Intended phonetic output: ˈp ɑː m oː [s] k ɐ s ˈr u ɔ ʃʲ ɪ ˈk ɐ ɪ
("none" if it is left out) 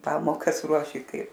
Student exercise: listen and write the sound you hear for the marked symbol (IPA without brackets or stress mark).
none